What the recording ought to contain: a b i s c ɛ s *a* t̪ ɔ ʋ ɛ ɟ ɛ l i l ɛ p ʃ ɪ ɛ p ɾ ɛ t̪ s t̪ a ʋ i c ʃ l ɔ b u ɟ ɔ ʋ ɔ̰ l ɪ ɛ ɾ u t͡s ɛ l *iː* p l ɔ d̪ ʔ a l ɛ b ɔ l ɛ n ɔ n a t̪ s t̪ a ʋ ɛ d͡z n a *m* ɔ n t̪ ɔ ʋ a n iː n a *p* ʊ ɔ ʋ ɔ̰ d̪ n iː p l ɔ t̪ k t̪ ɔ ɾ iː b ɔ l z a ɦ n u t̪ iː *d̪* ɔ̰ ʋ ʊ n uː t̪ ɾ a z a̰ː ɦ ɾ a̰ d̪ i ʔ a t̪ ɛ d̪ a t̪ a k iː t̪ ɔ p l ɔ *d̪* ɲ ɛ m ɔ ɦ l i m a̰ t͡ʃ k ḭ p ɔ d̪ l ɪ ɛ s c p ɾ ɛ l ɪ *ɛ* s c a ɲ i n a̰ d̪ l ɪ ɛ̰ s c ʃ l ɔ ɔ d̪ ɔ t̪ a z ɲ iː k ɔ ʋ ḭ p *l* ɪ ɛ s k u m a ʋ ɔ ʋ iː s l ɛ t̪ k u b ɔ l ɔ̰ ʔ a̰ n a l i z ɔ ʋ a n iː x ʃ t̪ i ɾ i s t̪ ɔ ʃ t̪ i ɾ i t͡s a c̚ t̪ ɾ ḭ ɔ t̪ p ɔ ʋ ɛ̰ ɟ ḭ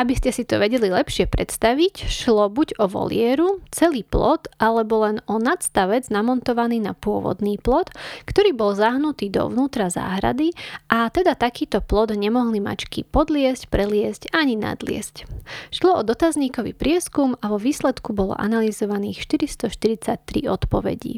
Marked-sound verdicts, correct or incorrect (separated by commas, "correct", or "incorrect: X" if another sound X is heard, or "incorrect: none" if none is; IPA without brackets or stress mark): incorrect: i, correct, correct, correct, correct, correct, correct, incorrect: ɾ